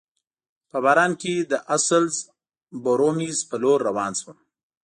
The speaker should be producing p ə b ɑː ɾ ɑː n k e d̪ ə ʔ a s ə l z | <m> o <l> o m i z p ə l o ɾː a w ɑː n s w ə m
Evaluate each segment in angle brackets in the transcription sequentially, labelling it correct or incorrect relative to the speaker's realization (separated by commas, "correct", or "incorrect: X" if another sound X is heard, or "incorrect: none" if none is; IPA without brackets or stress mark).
incorrect: b, incorrect: ɾ